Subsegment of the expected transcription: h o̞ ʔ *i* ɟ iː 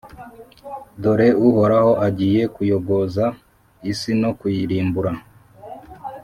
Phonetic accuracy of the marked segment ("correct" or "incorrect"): incorrect